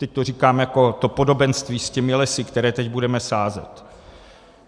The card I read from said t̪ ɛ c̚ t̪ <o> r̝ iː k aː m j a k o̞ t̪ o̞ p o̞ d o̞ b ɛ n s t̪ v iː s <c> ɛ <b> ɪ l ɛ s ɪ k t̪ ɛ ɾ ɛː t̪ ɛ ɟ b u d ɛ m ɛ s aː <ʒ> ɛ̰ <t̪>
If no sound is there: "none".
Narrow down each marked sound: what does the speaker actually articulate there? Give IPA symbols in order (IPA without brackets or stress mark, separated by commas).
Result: o, c, m, z, t̪